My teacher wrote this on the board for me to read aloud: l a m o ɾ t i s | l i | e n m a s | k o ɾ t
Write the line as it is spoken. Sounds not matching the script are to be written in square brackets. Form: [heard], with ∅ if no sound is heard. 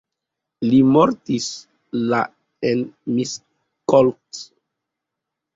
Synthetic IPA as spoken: l [i] m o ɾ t i s | l [a] | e n m [i] s | k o [l] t